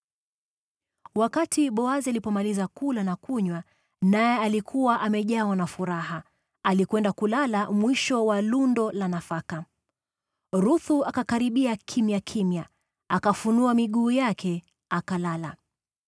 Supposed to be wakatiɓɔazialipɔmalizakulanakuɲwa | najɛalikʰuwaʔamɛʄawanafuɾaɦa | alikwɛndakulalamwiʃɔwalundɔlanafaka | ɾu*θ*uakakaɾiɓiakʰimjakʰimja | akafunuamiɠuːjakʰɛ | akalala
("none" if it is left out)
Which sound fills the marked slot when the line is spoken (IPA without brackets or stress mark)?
θ